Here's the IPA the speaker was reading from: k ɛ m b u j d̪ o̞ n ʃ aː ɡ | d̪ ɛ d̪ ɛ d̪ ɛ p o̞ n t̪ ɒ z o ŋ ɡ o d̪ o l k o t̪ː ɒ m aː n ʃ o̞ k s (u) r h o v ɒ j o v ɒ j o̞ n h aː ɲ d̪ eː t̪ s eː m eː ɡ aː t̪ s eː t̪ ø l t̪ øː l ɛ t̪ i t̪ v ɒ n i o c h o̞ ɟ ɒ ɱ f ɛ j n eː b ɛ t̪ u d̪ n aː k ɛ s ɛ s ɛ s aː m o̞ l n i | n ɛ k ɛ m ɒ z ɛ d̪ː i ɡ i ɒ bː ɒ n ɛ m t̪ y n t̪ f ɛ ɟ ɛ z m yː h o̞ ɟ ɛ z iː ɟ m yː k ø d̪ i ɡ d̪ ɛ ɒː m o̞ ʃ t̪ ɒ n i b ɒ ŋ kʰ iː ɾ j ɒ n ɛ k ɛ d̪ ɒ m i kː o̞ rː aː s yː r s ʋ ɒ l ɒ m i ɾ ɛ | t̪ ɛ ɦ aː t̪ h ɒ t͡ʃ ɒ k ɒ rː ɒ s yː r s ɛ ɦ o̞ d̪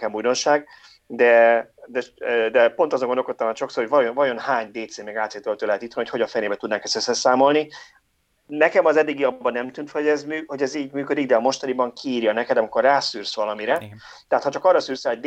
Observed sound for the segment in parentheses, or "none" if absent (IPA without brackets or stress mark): o